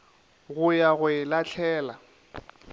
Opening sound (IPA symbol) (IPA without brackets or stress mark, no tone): ɣ